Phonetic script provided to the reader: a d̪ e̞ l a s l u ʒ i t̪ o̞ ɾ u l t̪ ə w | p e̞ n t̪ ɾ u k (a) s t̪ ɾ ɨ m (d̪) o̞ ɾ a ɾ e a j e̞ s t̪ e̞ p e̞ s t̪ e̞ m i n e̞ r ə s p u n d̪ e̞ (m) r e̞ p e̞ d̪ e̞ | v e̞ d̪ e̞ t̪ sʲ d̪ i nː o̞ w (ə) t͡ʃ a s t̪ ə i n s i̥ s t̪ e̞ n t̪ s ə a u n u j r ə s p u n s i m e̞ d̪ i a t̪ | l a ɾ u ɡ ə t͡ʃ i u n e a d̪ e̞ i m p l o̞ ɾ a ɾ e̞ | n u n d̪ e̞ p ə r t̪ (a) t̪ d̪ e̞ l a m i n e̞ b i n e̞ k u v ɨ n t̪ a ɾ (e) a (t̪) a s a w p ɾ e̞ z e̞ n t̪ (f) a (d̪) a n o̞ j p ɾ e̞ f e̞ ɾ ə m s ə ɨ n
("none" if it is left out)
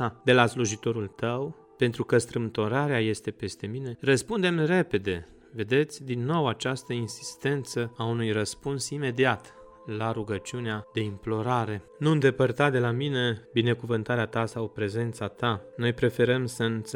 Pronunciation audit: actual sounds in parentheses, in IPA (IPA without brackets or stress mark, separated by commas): ə, t̪, m, a, a, e, t̪, s, t̪